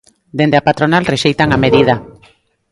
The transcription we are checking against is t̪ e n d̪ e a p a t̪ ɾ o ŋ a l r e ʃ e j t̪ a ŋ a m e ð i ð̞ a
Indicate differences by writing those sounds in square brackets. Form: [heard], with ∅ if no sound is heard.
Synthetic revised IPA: [d̪] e n d̪ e a p a t̪ ɾ o [n] a l r e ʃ e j t̪ a ŋ a m e ð i ð̞ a

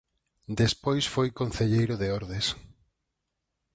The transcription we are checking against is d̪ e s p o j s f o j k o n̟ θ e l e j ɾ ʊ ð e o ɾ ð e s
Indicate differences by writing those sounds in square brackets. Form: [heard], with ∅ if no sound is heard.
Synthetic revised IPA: d̪ e s p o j s f o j k o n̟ θ e [ʎ] e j ɾ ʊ ð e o ɾ ð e s

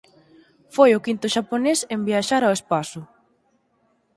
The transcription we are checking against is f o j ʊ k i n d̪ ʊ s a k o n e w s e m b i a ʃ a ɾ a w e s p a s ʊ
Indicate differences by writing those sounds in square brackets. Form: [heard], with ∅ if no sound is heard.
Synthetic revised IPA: f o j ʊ k i n [t̪] ʊ [ʃ] a [p] o n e [∅] s e m b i a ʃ a ɾ a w e s p a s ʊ

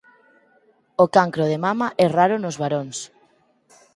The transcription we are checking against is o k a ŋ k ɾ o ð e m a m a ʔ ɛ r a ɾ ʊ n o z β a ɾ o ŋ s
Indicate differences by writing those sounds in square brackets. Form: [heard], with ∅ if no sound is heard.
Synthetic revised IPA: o k a ŋ k ɾ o ð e m a m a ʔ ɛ r a ɾ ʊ n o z β a ɾ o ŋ s

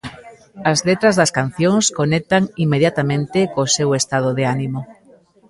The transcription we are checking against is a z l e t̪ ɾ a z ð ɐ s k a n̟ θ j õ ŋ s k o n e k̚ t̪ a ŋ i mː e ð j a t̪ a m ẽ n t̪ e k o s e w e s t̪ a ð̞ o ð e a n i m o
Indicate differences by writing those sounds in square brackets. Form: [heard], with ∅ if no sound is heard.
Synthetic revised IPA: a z l e t̪ ɾ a z ð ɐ s k a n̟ θ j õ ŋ s k o n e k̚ t̪ a ŋ i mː e ð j a t̪ a m ẽ n t̪ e k o s e w e s t̪ a ð̞ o ð e a n i m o

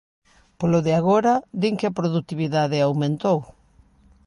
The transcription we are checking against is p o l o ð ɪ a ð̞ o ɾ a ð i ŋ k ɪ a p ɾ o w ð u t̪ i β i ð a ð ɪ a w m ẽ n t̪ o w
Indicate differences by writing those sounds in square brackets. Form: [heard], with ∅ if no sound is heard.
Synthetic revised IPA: p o l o ð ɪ a [ɣ̞] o ɾ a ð i ŋ k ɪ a p ɾ o [∅] ð u t̪ i β i ð a ð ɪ a w m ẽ n t̪ o w

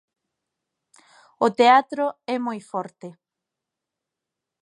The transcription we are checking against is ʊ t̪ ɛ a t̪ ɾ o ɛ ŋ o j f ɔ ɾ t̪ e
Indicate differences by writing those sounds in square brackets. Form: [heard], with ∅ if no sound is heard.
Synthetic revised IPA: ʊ t̪ [e] a t̪ ɾ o ɛ [m] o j f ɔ ɾ t̪ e

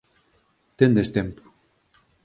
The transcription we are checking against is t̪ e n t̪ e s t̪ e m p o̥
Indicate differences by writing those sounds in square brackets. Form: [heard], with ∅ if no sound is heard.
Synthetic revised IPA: t̪ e n [d̪] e s t̪ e m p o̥

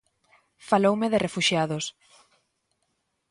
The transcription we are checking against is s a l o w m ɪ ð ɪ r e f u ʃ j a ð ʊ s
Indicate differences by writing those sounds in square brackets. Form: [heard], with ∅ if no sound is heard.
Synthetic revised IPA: [f] a l o w m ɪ ð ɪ r e f u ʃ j a ð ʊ s

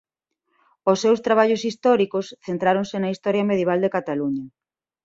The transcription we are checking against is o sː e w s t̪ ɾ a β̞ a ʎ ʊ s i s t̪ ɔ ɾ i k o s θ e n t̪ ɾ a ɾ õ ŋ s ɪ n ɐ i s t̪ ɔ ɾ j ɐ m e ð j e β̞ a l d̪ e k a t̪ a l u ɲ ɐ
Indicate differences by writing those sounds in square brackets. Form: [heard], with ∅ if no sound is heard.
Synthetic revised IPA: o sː e w s t̪ ɾ a β̞ a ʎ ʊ s i s t̪ ɔ ɾ i k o s θ e n t̪ ɾ a ɾ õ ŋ s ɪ n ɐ i s t̪ ɔ ɾ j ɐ m e ð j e β̞ a l d̪ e k a t̪ a l u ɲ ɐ

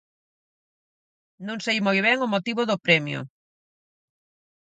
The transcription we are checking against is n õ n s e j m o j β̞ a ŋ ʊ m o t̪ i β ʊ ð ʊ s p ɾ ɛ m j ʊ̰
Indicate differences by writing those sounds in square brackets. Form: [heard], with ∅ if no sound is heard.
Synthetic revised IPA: n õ [ŋ] s e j m o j β̞ [ɛ] ŋ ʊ m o t̪ i β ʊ ð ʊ [∅] p ɾ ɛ m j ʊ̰

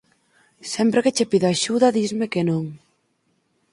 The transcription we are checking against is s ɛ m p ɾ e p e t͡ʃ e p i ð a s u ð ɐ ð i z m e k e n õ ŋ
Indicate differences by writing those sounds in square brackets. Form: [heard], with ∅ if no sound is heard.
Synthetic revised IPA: s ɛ m p ɾ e [k] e t͡ʃ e p i ð a [ʃ] u ð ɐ ð i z m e k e n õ ŋ

